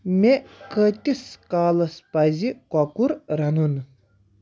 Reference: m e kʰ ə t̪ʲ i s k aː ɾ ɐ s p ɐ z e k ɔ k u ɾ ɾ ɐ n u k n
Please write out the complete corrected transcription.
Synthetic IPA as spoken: m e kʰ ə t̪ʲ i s k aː l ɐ s p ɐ z i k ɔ k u ɾ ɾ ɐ n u n